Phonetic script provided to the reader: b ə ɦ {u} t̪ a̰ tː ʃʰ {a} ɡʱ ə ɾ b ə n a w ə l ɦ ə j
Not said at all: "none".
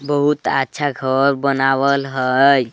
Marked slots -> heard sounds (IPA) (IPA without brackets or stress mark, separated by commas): u, a